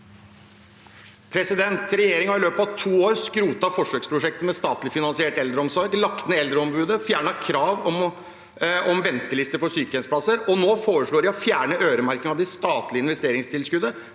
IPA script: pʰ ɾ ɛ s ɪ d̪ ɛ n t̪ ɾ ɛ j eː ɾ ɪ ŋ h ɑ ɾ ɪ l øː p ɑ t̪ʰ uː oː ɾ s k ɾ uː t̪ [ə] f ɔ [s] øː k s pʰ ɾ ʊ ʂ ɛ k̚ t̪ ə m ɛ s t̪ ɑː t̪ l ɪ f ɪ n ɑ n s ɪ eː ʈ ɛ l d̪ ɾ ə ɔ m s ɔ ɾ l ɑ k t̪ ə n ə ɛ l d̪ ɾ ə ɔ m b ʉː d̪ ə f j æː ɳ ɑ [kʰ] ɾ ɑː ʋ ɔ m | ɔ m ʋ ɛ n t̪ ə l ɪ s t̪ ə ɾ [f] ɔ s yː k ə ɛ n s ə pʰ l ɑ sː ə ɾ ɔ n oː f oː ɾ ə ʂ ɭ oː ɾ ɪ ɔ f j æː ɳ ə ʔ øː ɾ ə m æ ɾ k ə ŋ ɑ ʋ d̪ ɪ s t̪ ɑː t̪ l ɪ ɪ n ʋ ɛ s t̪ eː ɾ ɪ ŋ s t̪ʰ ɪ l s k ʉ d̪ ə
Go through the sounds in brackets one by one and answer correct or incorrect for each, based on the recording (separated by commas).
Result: incorrect, incorrect, correct, correct